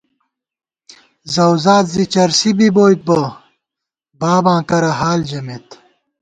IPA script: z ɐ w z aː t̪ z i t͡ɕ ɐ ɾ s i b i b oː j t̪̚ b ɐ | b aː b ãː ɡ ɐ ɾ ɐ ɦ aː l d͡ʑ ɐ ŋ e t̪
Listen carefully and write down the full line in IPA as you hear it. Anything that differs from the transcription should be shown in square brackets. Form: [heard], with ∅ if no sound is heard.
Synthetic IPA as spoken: z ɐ w z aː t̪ z i t͡ɕ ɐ ɾ s i b i b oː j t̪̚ b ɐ | b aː b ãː [k] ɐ ɾ ɐ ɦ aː l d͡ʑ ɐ [m] e t̪